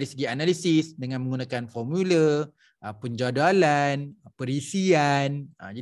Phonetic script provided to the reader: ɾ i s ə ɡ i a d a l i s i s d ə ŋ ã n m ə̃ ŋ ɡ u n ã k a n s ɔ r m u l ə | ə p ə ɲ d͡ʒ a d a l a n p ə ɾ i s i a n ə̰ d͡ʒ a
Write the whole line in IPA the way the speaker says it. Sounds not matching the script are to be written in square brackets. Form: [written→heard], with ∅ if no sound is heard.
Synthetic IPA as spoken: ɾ i s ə ɡ i a [d→n] a l i s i s d ə ŋ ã n m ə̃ ŋ ɡ u n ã k a n [s→f] ɔ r m u l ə | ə p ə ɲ d͡ʒ a d a l a n p ə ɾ i s i a n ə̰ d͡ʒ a